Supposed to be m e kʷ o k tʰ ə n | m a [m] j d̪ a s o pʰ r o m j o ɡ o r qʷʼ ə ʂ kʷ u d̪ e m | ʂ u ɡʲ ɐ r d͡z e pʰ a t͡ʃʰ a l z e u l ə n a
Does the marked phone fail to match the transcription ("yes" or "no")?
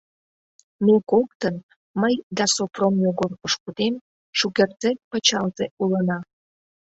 yes